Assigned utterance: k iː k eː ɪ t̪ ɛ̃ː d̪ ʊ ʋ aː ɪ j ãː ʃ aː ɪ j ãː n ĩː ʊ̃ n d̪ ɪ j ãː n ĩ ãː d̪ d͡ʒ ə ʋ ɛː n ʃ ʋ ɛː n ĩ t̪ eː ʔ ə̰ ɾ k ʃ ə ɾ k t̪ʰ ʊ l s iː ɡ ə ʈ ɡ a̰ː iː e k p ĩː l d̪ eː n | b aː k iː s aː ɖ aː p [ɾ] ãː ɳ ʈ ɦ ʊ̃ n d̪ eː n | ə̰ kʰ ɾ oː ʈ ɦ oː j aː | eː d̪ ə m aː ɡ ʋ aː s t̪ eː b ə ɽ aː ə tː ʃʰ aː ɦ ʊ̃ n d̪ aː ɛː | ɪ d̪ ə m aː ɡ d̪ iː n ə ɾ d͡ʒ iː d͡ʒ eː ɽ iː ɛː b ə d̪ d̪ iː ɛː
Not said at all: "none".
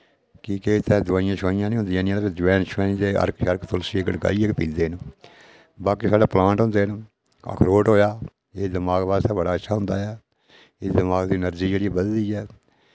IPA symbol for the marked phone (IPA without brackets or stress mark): l